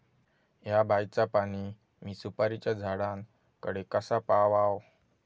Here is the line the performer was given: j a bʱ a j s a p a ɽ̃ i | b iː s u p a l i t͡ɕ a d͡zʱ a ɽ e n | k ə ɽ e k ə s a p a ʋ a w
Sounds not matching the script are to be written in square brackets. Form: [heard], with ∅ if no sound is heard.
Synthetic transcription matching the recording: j a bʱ a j [t͡s] a p a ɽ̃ i | [m] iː s u p a [ɾ] i t͡ɕ a d͡zʱ a ɽ [a] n | k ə ɽ e k ə s a p a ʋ a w

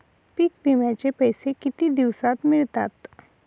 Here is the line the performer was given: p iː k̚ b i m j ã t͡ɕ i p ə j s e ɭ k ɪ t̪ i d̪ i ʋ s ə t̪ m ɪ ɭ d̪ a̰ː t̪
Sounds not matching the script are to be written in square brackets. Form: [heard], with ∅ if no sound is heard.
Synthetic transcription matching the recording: p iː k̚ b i m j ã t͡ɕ [e] p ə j s e [∅] k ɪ t̪ i d̪ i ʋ s [a] t̪ m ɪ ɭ [t̪] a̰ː t̪

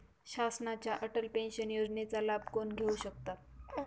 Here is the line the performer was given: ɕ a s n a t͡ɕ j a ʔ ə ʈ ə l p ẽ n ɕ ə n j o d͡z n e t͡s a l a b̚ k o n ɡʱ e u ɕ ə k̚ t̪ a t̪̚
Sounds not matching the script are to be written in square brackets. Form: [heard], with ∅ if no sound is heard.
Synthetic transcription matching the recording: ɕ a s n a t͡ɕ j a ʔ ə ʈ ə l p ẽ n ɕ ə n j o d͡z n e t͡s a l a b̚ k o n ɡʱ e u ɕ ə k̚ t̪ a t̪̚

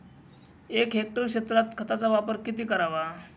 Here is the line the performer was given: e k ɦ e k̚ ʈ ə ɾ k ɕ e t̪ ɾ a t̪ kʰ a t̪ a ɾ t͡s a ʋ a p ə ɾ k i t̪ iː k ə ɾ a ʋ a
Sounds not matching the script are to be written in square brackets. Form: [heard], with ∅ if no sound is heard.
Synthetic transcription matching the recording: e k ɦ e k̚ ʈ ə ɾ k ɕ e t̪ ɾ a t̪ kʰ [ə] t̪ a [∅] t͡s a ʋ a p ə ɾ k i t̪ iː k ə ɾ a ʋ a

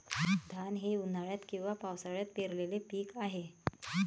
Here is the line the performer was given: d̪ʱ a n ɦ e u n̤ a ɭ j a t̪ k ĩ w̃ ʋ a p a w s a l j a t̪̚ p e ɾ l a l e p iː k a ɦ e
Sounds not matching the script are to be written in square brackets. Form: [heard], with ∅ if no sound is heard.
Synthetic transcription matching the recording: d̪ʱ a n ɦ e u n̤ a ɭ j a t̪ k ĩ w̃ ʋ a p a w s a [ɭ] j a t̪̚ p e ɾ l [e] l e p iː k a ɦ e

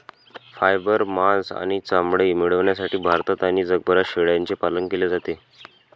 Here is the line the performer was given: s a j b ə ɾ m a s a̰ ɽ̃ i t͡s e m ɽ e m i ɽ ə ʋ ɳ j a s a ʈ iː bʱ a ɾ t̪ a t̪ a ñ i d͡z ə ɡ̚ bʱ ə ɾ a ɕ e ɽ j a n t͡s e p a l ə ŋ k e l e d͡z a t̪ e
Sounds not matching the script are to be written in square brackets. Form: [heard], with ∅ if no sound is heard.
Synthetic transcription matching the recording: [f] a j b ə ɾ m a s a̰ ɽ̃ i t͡s [a] m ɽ e m i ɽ ə ʋ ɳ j a s a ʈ iː bʱ a ɾ t̪ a t̪ a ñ i d͡z ə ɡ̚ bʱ ə ɾ a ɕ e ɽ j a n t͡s e p a l ə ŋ k e l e d͡z a t̪ e

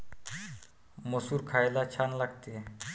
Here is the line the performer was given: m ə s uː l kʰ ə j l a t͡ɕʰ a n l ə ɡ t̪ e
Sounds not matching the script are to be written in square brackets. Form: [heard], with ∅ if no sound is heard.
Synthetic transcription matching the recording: m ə s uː [ɾ] kʰ [a] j l a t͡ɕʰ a n l [a] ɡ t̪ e

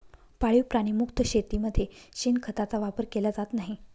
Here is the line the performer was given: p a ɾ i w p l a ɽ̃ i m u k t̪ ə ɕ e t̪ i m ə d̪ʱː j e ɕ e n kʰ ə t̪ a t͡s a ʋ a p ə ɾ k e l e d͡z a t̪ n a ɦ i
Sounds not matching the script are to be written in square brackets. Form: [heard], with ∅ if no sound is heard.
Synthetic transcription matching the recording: p a [ɭ] i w p [ɾ] a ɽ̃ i m u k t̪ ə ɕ e t̪ i m ə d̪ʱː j e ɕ [i] n kʰ ə t̪ a t͡s a ʋ a p ə ɾ k e l [a] d͡z a t̪ n a ɦ i

